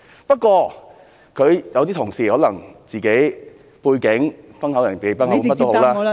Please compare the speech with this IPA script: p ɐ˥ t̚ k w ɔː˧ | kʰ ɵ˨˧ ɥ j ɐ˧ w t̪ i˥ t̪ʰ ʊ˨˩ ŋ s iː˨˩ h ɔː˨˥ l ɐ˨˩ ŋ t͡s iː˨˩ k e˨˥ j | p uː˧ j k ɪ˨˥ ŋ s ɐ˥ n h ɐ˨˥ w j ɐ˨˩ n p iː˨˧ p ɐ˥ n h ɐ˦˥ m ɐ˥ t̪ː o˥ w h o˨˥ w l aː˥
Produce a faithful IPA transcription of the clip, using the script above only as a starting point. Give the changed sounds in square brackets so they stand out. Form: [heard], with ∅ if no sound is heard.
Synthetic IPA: p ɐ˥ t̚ k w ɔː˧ | kʰ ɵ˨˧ ɥ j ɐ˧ w t̪ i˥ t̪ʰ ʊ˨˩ ŋ s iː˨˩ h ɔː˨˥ l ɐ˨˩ ŋ t͡s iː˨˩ k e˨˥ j | p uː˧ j k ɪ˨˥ ŋ [f] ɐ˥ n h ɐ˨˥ w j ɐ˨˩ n p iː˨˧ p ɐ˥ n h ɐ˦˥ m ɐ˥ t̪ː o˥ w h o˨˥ w l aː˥